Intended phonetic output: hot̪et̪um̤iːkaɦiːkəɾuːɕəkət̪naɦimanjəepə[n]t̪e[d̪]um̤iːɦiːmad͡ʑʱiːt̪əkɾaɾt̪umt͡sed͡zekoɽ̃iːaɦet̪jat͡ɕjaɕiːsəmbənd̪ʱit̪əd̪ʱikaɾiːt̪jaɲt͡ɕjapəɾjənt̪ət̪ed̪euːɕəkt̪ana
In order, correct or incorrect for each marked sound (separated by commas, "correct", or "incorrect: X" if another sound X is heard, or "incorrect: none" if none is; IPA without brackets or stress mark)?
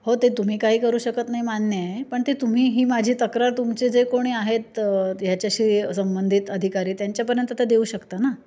incorrect: ɳ, incorrect: t̪